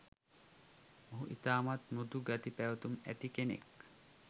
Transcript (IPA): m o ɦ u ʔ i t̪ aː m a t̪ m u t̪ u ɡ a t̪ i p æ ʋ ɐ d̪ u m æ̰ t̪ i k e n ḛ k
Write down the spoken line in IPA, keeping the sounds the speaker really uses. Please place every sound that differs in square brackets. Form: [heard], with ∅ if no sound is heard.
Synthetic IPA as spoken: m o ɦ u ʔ i t̪ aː m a t̪ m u [d̪] u ɡ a t̪ i p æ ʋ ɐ [t̪] u m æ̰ t̪ i k e n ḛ k